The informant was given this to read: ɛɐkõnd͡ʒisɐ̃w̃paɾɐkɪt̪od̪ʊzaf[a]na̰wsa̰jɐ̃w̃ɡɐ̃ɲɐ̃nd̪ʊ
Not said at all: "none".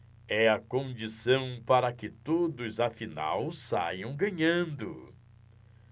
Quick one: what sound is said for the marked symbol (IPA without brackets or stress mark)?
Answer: i